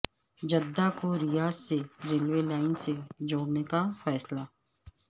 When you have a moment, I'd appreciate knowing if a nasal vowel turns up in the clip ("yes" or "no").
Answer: no